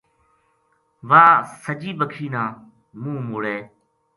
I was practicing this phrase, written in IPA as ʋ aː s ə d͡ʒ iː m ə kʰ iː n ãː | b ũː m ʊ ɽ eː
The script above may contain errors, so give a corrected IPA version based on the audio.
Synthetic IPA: ʋ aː s ə d͡ʒ iː b ə kʰ iː n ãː | m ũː m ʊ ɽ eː